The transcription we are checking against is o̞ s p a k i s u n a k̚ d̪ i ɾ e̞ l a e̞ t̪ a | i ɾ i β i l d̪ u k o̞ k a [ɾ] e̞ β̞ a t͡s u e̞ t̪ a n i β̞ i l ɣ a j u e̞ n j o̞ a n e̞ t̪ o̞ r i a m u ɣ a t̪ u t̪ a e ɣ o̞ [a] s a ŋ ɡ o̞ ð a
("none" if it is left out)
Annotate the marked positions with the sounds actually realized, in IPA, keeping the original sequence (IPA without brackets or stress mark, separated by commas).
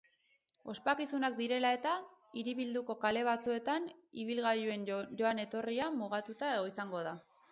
l, i